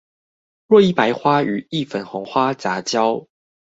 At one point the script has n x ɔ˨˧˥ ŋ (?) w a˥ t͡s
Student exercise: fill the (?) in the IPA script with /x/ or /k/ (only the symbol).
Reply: x